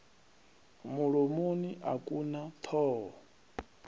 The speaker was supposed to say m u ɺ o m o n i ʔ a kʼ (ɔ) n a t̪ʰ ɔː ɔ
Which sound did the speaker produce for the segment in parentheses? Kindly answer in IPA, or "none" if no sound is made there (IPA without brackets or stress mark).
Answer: u